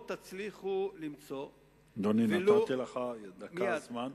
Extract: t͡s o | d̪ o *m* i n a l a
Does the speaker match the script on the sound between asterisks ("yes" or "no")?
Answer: no